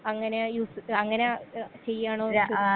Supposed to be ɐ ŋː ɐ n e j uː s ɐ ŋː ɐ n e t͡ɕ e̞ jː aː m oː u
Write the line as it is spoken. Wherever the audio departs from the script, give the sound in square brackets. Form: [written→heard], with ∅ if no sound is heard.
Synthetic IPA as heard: ɐ ŋː ɐ n e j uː s ɐ ŋː ɐ n e t͡ɕ e̞ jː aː [m→ɳ] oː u